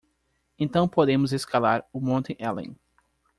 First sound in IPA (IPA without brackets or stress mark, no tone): ẽ